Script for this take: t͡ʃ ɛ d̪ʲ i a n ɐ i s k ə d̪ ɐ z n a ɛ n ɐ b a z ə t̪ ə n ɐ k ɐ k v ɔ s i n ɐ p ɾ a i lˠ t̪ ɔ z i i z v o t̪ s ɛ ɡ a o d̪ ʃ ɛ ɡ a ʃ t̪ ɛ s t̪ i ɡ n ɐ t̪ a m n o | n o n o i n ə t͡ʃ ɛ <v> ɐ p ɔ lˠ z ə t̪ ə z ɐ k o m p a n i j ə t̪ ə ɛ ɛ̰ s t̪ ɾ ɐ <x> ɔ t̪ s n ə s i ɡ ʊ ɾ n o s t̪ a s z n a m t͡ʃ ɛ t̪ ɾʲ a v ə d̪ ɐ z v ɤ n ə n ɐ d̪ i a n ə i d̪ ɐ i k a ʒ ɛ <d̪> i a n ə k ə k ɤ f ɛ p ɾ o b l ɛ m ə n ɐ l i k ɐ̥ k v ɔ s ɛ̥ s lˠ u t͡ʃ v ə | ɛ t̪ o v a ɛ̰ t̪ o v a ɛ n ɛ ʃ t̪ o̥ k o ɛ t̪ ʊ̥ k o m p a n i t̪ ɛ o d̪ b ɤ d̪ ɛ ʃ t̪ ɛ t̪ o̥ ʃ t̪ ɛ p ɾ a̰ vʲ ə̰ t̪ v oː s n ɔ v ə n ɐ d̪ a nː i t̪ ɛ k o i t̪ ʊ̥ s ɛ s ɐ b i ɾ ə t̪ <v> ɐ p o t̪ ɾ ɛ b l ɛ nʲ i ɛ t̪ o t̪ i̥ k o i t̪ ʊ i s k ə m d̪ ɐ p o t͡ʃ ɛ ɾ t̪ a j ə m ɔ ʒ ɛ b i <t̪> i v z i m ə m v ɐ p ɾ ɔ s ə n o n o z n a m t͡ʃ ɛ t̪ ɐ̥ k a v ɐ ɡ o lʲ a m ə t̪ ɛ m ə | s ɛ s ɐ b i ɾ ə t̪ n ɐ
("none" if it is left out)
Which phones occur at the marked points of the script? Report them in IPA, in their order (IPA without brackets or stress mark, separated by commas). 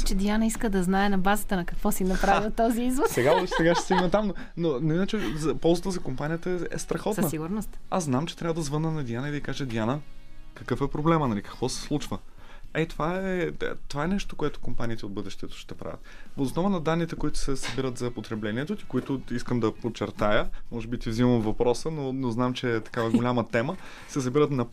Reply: z, x, d̪, z, t̪